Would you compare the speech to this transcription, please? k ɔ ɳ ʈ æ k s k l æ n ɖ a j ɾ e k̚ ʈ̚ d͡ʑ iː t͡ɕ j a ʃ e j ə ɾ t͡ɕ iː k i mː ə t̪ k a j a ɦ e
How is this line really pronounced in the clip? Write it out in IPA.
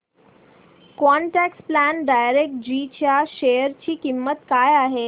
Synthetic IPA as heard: k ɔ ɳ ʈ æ k s p l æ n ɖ a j ɾ e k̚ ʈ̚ d͡ʑ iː t͡ɕ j a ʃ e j ə ɾ t͡ɕ iː k i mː ə t̪ k a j a ɦ e